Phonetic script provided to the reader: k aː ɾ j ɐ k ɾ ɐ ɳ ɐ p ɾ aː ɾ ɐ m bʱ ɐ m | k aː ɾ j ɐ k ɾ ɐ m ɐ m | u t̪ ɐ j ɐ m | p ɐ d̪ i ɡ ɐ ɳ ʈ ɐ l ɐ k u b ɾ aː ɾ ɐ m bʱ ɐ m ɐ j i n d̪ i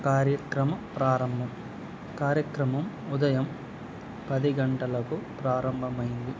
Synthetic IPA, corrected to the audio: k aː ɾ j ɐ k ɾ ɐ m ɐ p ɾ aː ɾ ɐ m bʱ ɐ m | k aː ɾ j ɐ k ɾ ɐ m ɐ m | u d̪ ɐ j ɐ m | p ɐ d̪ i ɡ ɐ ɳ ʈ ɐ l ɐ k u p ɾ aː ɾ ɐ m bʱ ɐ m ɐ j i n d̪ i